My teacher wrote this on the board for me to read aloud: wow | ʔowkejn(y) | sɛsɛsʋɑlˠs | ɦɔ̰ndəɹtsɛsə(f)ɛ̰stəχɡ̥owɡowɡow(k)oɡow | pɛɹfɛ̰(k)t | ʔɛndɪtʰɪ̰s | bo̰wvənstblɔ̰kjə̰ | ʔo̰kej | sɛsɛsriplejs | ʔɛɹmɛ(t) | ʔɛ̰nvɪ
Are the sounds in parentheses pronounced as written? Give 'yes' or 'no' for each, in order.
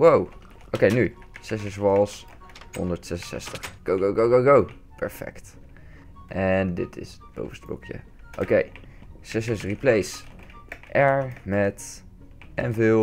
yes, no, no, yes, yes

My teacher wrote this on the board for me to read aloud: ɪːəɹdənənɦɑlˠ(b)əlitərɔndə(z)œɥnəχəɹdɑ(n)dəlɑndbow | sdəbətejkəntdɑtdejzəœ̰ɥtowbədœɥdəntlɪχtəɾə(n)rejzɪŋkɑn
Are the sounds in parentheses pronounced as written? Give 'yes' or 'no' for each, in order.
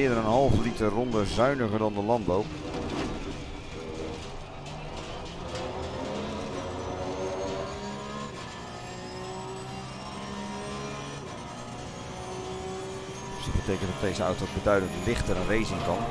no, yes, yes, yes

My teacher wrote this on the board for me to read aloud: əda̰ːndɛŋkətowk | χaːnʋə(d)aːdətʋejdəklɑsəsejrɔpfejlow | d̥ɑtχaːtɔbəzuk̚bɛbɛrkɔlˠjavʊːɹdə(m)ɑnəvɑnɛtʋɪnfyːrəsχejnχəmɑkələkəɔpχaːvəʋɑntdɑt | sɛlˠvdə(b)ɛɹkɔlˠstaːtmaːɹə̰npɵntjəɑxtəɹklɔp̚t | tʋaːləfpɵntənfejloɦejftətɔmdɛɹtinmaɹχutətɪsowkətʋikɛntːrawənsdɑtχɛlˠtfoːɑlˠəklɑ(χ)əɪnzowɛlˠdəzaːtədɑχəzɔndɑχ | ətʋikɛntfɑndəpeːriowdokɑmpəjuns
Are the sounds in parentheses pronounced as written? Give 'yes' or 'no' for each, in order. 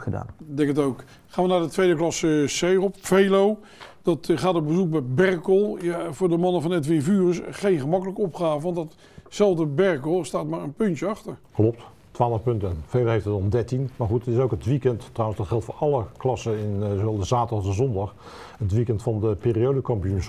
no, yes, yes, no

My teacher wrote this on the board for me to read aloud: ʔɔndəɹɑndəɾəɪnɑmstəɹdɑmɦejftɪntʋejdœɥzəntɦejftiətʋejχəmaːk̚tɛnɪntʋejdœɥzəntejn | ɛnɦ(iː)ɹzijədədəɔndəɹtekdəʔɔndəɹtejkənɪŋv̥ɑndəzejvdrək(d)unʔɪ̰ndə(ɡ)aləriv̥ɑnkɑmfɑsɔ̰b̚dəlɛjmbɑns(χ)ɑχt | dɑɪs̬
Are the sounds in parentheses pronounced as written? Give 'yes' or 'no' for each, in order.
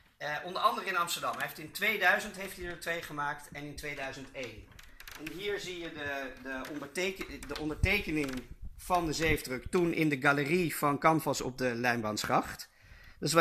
yes, no, yes, yes

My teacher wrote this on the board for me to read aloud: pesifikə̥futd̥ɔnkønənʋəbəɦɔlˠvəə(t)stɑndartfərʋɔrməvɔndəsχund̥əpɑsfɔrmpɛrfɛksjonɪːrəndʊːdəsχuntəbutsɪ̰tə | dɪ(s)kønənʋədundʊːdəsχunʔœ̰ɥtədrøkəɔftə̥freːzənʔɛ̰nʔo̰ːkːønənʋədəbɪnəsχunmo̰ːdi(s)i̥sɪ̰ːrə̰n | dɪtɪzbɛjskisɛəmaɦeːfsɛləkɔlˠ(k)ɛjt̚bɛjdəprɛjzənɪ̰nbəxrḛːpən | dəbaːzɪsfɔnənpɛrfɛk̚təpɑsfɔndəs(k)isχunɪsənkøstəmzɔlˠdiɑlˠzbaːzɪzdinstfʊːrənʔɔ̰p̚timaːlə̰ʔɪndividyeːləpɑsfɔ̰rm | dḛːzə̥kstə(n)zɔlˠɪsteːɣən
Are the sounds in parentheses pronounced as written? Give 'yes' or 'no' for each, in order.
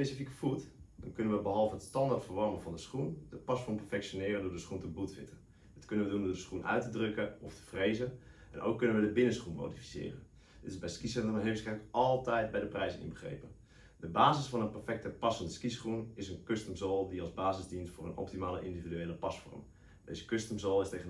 yes, no, no, no, yes, no

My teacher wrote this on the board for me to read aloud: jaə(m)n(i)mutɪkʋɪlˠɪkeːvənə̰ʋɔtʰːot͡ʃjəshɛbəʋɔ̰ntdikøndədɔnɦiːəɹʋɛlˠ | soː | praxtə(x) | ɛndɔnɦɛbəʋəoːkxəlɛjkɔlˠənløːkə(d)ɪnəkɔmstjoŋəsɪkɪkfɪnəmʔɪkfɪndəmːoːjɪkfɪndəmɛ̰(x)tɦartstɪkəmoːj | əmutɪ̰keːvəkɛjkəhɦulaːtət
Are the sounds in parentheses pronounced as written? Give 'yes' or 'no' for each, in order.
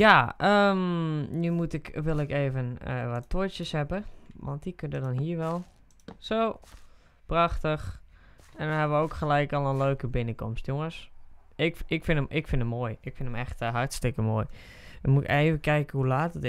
yes, no, yes, no, yes

